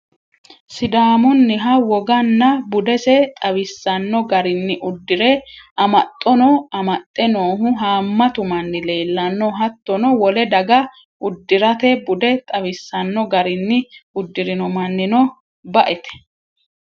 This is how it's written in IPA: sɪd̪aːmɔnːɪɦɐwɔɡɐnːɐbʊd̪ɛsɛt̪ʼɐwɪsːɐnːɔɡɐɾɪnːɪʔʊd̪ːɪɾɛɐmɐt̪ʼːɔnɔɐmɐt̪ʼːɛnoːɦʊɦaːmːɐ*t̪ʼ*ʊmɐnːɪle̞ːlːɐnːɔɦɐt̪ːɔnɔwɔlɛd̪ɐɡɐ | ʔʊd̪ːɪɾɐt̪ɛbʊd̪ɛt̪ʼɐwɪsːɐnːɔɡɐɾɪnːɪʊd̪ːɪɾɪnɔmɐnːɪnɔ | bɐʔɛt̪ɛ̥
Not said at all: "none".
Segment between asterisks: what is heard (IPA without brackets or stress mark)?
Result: t̪